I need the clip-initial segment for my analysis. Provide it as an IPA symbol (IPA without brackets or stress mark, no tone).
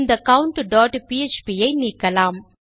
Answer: n